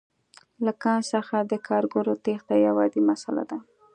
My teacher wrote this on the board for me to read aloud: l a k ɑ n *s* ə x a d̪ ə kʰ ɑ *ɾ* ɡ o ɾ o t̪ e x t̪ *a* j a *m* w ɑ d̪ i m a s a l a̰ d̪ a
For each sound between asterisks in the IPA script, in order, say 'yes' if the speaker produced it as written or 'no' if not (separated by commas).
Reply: yes, yes, yes, no